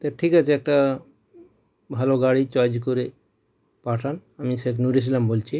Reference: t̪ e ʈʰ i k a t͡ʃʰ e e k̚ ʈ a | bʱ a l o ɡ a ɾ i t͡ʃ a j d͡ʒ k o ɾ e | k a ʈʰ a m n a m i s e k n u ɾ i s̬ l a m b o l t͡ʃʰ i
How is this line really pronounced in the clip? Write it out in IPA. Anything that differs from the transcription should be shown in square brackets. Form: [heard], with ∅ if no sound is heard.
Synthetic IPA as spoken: t̪ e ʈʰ i k a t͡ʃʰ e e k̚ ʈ a | bʱ a l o ɡ a [ɽ] i t͡ʃ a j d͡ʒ k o ɾ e | [p] a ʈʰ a [∅] n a m i s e k n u ɾ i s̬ l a m b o l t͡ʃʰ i

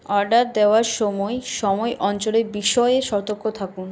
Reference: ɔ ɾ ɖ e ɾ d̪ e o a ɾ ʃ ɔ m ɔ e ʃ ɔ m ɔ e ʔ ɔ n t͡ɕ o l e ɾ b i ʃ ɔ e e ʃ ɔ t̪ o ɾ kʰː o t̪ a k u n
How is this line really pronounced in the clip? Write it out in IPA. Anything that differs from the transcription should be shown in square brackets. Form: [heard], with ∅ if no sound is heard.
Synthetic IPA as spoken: ɔ ɾ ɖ [a] ɾ d̪ e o a ɾ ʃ ɔ m ɔ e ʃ ɔ m ɔ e ʔ ɔ n t͡ɕ o l e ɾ b i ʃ ɔ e e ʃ ɔ t̪ o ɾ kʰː o [t̪ʰ] a k u n

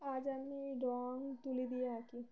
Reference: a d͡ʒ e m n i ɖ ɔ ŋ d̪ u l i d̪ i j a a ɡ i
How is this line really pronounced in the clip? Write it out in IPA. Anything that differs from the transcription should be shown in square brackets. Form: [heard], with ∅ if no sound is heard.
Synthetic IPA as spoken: a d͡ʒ [a] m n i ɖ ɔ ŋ [t̪] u l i d̪ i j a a [k] i

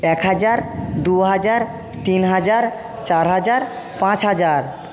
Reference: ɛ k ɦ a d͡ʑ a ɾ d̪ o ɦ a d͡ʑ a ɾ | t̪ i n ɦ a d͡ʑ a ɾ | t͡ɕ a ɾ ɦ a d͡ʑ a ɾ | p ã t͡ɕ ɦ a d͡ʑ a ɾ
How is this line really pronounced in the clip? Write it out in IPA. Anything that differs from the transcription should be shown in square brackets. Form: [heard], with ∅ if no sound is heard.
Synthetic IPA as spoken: ɛ k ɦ a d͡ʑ a ɾ d̪ [u] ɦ a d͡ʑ a ɾ | t̪ i n ɦ a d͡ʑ a ɾ | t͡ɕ a ɾ ɦ a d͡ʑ a ɾ | p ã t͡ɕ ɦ a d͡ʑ a ɾ

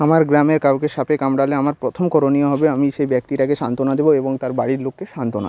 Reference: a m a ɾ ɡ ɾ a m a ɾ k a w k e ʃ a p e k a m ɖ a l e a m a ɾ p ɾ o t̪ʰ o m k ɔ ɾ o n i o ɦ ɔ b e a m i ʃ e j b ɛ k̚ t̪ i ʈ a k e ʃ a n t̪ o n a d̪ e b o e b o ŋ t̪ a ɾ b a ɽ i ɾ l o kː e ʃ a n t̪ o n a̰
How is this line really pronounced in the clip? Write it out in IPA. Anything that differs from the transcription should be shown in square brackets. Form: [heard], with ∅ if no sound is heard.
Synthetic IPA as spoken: a m a ɾ ɡ ɾ a m [e] ɾ k a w k e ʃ a p e k a m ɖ a l e a m a ɾ p ɾ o t̪ʰ o m k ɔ ɾ o n i o ɦ ɔ b e a m i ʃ e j b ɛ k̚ t̪ i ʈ a k e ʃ a n t̪ o n a d̪ e b o e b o ŋ t̪ a ɾ b a ɽ i ɾ l o kː e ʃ a n t̪ o n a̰

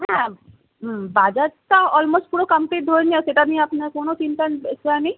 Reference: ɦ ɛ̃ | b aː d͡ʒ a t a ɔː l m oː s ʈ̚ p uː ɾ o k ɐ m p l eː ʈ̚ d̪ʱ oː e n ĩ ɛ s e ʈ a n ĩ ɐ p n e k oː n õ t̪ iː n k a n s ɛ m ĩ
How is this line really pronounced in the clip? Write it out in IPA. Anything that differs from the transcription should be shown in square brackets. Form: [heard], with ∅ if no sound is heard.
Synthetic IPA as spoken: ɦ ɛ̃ | b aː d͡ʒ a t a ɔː l m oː s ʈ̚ p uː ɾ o k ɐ m p l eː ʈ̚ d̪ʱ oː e n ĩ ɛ s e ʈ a n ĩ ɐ p n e k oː n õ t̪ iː n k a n s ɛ [n] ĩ

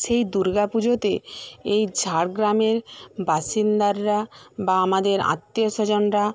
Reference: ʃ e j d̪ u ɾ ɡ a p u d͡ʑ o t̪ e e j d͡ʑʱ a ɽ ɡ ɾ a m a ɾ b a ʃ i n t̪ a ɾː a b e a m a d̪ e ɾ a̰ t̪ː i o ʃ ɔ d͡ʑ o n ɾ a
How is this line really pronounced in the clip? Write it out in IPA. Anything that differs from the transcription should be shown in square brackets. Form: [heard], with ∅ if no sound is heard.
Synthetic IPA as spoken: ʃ e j d̪ u ɾ ɡ a p u d͡ʑ o t̪ e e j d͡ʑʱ a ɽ ɡ ɾ a m [e] ɾ b a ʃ i n [d̪] a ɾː a b [a] a m a d̪ e ɾ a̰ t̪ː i o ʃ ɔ d͡ʑ o n ɾ a

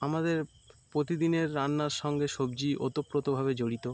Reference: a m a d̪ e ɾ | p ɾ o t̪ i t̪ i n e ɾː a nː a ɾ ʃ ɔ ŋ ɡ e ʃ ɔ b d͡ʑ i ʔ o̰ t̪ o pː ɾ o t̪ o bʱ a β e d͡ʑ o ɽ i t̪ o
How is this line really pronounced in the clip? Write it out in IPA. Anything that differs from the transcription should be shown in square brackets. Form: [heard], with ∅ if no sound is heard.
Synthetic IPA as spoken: a m a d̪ e ɾ | p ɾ o t̪ i [d̪] i n e ɾː a nː a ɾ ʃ ɔ ŋ ɡ e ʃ [o] b d͡ʑ i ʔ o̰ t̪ o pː ɾ o t̪ o bʱ a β e d͡ʑ o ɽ i t̪ o

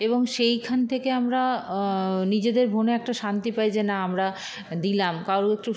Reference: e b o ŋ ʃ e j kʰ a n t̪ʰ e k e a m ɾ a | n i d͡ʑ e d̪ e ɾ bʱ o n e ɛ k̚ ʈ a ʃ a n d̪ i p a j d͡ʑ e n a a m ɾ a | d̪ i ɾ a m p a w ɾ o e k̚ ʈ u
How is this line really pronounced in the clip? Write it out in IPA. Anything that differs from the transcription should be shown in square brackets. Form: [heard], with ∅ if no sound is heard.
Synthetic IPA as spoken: e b o ŋ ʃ e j kʰ a n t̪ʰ e k e a m ɾ a | n i d͡ʑ e d̪ e ɾ bʱ o n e ɛ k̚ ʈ a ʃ a n [t̪] i p a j d͡ʑ e n a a m ɾ a | d̪ i [l] a m [k] a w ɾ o e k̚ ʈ u

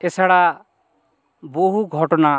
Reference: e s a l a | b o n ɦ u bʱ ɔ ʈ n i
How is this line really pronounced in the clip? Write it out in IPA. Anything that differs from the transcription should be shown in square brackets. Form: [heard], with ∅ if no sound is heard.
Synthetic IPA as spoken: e s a [ɽ] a | b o [∅] ɦ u [ɡʱ] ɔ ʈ n [a]

